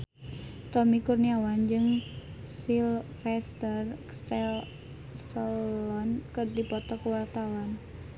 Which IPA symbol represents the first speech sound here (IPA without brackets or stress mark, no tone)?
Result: t̪